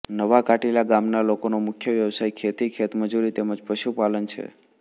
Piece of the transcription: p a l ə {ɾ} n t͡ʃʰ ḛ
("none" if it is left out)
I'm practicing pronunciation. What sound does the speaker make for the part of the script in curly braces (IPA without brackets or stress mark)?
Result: none